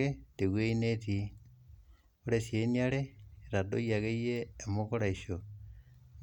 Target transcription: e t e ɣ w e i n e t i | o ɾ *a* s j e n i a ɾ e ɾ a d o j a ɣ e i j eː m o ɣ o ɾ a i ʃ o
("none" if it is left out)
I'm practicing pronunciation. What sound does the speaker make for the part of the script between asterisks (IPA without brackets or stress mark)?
e